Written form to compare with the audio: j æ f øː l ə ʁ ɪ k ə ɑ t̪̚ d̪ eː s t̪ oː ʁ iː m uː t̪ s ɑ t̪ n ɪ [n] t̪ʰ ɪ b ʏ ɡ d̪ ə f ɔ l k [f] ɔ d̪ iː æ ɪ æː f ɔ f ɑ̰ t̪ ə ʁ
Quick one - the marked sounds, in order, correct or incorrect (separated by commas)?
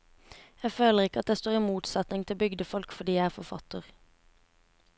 incorrect, correct